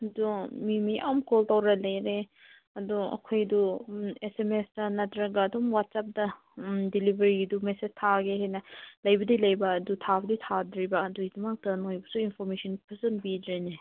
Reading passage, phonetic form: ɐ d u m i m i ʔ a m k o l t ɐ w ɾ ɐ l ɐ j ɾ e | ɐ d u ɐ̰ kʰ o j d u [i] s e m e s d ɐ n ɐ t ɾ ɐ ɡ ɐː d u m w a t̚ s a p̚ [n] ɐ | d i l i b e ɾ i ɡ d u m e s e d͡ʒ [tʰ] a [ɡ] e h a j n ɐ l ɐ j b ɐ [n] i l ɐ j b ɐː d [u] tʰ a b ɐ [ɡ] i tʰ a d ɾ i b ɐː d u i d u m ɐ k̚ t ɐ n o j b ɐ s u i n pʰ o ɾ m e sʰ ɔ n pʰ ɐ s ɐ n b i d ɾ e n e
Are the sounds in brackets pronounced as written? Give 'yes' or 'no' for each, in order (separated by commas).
no, no, yes, yes, no, yes, no